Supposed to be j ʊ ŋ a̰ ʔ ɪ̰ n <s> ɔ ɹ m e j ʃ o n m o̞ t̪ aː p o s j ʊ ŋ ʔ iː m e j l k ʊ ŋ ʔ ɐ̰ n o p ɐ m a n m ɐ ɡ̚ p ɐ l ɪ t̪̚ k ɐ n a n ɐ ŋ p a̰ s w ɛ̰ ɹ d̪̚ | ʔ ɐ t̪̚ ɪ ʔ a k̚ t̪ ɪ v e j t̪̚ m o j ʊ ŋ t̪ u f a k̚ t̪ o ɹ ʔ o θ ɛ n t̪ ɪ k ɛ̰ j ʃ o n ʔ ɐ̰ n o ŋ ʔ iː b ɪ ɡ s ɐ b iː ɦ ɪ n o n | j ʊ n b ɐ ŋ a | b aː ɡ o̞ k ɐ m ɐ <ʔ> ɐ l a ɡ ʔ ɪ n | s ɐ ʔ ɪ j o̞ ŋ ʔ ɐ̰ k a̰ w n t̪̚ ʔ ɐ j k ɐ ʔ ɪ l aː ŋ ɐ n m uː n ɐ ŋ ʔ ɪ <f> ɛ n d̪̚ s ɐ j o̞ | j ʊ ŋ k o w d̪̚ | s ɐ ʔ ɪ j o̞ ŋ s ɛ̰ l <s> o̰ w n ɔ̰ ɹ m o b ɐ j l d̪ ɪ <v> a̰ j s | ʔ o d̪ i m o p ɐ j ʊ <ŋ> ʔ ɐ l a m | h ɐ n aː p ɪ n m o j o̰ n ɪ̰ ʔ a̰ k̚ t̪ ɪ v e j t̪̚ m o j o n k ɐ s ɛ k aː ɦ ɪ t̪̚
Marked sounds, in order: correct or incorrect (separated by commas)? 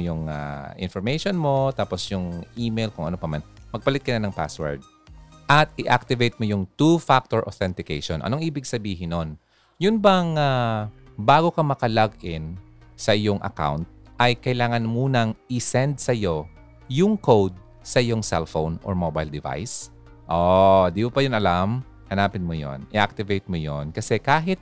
incorrect, incorrect, incorrect, incorrect, correct, incorrect